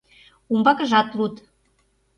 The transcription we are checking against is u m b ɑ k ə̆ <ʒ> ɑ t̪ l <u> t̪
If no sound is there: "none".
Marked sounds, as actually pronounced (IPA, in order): ʒ, u

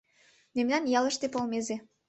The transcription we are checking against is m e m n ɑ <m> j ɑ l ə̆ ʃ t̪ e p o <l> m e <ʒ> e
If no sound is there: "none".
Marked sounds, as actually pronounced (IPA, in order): n, l, z

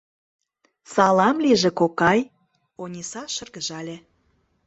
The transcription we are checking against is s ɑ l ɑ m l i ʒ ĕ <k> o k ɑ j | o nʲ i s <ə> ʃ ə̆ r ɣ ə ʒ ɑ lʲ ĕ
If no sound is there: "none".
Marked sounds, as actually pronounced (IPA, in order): k, ɑ

